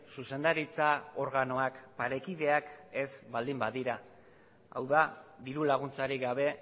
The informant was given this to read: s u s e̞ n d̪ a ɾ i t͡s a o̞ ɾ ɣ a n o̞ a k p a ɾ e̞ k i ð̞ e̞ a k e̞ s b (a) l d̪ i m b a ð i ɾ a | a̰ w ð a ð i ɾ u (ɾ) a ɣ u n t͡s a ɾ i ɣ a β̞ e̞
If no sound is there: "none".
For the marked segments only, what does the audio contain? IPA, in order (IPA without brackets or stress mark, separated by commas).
a, l